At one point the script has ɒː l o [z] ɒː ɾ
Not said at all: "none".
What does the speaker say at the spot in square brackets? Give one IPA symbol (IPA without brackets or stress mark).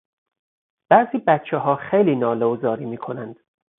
z